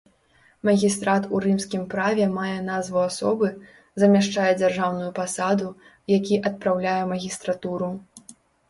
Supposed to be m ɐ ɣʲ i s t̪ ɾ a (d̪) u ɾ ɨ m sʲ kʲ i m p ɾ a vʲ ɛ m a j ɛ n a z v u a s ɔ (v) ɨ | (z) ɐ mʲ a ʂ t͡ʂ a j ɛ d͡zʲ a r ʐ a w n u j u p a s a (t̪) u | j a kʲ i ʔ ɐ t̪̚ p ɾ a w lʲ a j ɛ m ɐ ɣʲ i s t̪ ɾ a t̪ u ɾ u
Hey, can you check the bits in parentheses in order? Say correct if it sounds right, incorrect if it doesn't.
incorrect: t̪, incorrect: b, correct, incorrect: d̪

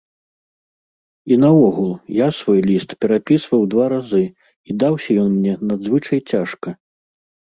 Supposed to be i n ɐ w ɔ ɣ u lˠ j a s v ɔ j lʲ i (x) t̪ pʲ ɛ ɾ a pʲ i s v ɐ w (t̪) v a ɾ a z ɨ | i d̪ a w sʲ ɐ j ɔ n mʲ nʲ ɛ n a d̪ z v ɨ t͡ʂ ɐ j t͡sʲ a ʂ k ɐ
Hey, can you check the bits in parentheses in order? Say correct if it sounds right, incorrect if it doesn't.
incorrect: s, incorrect: d̪

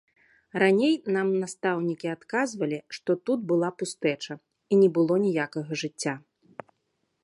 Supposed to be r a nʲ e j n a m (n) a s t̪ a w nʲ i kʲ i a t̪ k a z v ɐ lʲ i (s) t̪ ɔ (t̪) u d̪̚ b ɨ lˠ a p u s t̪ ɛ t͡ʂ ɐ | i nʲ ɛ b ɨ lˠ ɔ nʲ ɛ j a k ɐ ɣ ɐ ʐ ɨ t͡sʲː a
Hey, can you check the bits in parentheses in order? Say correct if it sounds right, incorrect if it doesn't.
correct, incorrect: ʂ, correct

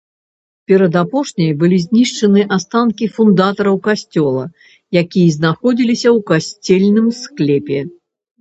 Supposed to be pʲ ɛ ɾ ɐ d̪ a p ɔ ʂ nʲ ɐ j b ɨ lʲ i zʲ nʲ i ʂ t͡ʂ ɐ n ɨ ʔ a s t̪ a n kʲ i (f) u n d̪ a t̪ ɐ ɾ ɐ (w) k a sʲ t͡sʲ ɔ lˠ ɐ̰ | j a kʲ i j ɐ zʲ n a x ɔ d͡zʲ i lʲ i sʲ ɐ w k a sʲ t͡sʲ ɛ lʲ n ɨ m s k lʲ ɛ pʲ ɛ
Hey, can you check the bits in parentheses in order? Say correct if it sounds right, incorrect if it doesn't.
correct, correct

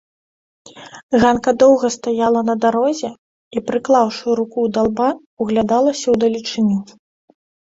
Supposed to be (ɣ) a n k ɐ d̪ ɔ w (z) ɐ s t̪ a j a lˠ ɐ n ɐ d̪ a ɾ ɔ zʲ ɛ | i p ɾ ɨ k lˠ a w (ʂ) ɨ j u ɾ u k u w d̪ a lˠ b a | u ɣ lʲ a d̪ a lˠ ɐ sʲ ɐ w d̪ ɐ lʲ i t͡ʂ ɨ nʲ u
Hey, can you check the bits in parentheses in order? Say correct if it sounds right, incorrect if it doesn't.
correct, incorrect: ɣ, correct

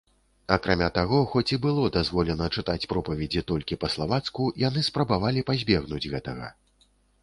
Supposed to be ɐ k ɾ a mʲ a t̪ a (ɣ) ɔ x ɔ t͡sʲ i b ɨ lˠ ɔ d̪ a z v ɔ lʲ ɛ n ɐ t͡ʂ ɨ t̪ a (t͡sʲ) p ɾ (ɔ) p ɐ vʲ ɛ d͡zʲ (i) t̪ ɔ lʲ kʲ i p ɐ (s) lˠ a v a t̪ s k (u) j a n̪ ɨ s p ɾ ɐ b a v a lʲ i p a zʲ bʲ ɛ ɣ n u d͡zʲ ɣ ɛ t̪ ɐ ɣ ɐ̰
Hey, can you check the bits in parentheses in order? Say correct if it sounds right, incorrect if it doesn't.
correct, correct, correct, correct, correct, correct

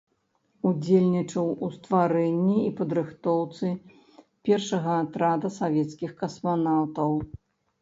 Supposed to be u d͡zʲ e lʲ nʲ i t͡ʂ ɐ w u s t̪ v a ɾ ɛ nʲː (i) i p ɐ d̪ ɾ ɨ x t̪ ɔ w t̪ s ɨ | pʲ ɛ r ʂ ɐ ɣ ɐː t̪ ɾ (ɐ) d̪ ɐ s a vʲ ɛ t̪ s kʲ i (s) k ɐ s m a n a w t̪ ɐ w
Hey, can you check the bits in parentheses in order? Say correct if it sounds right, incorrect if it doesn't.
correct, incorrect: a, incorrect: x

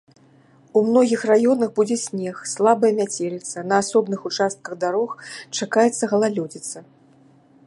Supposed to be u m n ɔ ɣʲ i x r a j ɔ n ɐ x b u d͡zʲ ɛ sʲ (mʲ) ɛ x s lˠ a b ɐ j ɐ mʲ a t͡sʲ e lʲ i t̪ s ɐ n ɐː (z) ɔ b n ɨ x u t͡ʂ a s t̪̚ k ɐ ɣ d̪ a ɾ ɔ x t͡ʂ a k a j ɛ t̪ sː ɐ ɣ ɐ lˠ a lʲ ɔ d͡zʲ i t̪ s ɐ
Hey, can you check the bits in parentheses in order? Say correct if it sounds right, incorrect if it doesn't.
incorrect: nʲ, incorrect: s

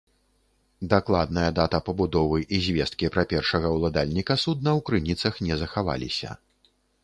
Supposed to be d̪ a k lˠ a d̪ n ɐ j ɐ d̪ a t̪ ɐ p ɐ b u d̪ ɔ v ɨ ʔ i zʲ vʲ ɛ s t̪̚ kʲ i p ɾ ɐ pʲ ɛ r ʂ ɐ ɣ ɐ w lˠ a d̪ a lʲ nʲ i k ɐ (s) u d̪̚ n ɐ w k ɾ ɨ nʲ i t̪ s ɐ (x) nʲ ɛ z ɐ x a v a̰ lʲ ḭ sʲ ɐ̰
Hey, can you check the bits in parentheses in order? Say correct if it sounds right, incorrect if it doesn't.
correct, correct

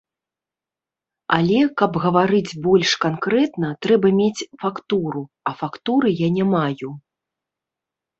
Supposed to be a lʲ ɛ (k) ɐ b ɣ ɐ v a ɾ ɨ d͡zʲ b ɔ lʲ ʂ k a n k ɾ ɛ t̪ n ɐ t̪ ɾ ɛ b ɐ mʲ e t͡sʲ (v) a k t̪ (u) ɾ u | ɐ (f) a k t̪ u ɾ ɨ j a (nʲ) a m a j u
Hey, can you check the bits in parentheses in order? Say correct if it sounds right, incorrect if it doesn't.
correct, incorrect: f, correct, correct, correct

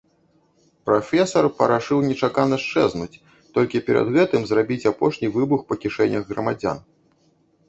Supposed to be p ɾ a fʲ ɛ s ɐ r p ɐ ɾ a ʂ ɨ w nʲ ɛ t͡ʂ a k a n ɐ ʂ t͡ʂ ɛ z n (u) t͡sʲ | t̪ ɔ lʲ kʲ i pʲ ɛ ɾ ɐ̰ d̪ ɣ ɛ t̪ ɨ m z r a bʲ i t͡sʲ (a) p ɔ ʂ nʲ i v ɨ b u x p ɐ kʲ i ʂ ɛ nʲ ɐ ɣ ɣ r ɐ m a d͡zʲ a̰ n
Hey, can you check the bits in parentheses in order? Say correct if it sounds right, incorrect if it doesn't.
correct, correct

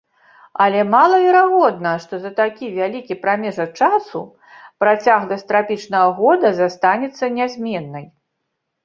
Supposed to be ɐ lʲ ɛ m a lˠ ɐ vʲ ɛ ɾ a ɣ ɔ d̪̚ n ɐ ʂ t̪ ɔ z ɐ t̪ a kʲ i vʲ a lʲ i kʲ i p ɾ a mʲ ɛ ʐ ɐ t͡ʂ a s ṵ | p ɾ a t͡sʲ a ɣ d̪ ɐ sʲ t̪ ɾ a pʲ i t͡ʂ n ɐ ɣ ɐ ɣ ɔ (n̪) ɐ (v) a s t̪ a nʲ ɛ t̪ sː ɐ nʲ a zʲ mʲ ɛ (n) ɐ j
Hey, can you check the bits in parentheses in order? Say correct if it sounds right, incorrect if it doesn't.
incorrect: d̪, incorrect: z, incorrect: nː

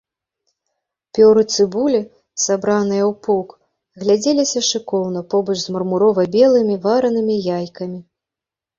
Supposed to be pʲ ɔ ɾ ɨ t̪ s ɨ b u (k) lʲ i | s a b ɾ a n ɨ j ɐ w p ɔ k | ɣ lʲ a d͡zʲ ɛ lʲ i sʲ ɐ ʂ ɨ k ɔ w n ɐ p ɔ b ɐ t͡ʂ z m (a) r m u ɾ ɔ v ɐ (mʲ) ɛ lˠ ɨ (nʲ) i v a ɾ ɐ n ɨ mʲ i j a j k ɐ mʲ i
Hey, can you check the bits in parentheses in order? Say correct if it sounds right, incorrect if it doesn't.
incorrect: none, incorrect: ɐ, incorrect: bʲ, incorrect: mʲ

